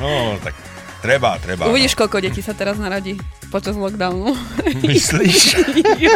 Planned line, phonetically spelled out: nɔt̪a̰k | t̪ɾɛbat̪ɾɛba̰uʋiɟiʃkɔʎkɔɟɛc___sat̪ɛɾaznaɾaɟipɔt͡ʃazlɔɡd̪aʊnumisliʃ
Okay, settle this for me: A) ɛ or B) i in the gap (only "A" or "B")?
B